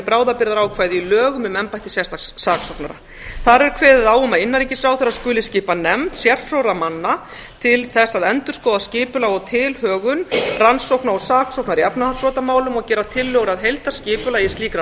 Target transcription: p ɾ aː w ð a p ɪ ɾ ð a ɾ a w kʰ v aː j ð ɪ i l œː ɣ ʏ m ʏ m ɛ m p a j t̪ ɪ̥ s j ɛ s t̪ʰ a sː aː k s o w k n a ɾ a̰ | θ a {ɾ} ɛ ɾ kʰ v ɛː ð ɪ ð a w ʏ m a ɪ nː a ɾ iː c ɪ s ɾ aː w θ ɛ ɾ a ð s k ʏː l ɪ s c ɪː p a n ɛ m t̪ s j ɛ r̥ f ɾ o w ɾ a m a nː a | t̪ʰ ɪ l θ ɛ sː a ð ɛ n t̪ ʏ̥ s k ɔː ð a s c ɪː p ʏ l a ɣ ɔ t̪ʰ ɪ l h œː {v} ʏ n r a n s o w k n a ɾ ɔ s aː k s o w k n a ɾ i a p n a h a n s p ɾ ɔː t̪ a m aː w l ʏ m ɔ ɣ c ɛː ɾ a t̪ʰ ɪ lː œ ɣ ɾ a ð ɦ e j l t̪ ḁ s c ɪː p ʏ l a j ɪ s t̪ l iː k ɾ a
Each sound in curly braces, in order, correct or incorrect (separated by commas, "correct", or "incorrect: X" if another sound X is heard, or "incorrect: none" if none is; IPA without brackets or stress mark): correct, incorrect: ɣ